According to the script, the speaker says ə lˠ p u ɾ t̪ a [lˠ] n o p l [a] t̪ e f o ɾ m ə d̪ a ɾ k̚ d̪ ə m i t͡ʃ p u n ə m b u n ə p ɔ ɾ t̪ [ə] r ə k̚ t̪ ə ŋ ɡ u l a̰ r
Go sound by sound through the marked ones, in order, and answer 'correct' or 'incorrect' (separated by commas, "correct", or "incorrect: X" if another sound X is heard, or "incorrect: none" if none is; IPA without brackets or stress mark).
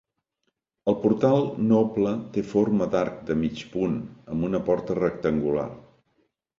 correct, incorrect: ə, correct